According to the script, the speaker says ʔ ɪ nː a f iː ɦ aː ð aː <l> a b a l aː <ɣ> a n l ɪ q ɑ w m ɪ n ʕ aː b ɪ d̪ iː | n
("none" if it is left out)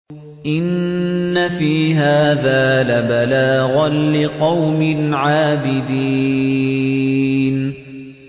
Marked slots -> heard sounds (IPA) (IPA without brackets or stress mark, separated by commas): l, ɣ